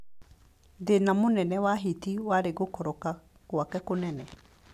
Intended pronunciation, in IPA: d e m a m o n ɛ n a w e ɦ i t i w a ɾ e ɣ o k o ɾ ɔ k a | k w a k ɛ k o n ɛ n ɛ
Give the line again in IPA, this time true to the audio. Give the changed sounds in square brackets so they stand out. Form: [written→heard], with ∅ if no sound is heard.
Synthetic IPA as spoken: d e [m→n] a m o n ɛ n [a→ɛ] w [e→a] ɦ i t i w a ɾ e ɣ o k [o→ɔ] ɾ ɔ k a | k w a k ɛ k o n ɛ n ɛ